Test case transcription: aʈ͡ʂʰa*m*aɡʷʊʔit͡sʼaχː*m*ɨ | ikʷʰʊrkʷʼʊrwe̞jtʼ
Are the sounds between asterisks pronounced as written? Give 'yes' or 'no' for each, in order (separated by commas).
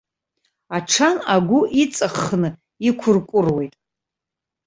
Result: no, no